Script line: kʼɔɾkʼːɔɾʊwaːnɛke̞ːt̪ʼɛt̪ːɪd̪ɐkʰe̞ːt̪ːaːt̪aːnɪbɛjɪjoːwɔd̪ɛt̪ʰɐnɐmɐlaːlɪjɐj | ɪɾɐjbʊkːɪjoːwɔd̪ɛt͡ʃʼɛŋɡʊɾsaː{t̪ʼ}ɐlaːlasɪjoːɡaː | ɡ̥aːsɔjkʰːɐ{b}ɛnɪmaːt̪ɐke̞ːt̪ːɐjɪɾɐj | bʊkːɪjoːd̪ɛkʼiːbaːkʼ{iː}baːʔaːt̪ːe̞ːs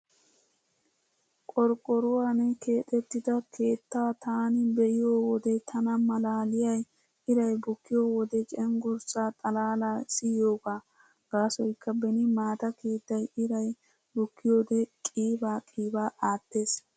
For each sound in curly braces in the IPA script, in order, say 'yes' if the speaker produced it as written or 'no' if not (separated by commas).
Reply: yes, yes, yes